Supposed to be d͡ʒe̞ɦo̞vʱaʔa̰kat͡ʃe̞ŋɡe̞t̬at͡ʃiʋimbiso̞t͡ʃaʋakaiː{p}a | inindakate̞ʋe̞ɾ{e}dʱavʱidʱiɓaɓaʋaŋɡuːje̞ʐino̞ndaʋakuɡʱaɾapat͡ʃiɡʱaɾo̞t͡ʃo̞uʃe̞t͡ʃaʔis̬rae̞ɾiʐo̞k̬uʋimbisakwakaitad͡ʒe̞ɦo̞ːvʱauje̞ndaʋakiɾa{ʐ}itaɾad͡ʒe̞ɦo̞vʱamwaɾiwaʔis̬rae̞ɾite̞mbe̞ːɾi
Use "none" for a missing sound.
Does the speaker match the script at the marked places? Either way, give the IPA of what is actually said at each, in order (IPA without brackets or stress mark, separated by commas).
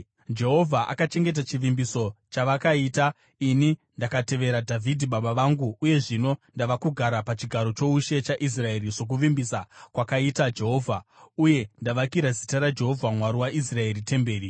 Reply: t, a, z